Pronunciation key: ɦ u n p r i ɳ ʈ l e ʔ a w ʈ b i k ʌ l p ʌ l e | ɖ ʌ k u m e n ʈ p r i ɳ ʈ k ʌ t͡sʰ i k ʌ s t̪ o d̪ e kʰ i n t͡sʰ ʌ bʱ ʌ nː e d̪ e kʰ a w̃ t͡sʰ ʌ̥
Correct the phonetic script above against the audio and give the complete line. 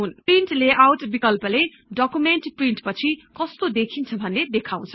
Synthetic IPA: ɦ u n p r i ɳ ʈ l e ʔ a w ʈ b i k ʌ l p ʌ l e | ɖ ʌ k u m e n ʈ p r i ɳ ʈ p ʌ t͡sʰ i k ʌ s t̪ o d̪ e kʰ i n t͡sʰ ʌ bʱ ʌ nː e d̪ e kʰ a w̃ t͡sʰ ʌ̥